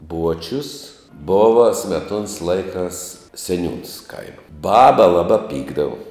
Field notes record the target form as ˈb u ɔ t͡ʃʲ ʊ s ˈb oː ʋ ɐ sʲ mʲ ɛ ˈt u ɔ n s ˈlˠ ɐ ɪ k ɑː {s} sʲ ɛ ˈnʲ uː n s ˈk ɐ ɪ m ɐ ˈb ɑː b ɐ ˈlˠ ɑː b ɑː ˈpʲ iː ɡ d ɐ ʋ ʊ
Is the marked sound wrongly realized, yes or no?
no